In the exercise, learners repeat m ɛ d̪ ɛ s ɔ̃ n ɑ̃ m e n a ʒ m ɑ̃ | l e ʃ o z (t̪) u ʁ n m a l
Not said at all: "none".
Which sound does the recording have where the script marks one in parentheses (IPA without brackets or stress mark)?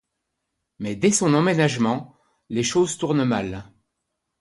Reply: t̪